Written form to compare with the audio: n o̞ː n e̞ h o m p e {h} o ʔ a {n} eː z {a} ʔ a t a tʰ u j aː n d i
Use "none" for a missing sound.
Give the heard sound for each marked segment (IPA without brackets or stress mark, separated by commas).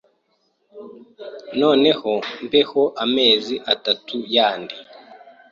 h, m, i